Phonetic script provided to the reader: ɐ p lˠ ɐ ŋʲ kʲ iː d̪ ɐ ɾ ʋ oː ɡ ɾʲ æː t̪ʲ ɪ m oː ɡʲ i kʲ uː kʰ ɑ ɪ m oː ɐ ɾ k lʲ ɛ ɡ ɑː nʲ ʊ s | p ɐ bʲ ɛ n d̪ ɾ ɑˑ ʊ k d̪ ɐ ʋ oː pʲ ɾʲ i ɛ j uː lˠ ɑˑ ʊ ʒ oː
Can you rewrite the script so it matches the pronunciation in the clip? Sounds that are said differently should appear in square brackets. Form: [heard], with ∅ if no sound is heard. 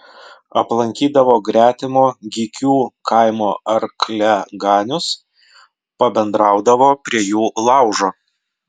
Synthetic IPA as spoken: ɐ p lˠ ɐ ŋʲ kʲ iː d̪ ɐ [∅] ʋ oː ɡ ɾʲ æː t̪ʲ ɪ m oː ɡʲ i kʲ uː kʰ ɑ ɪ m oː ɐ ɾ k lʲ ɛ ɡ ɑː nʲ ʊ s | p ɐ bʲ ɛ n d̪ ɾ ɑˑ ʊ [∅] d̪ ɐ ʋ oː pʲ ɾʲ i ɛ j uː lˠ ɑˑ ʊ ʒ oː